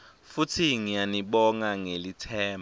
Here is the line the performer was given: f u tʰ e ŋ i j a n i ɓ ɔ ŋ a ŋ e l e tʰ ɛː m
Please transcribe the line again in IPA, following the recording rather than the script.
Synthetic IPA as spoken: f u tʰ i ŋ i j a n i ɓ ɔ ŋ a ŋ e l i tʰ ɛː m